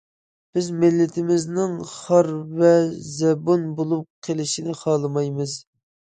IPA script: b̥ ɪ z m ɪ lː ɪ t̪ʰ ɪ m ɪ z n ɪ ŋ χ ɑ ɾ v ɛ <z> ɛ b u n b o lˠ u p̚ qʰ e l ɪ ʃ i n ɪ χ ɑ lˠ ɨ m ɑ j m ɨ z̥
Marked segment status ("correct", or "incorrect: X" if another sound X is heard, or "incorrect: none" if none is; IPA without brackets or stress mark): correct